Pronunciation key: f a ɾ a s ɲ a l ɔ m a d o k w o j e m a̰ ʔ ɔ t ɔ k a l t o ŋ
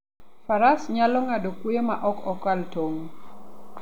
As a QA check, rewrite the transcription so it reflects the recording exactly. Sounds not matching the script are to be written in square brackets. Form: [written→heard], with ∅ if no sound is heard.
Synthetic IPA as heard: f a ɾ a s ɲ a l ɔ [m→ŋ] a d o k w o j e m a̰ ʔ ɔ [t→k] ɔ k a l t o ŋ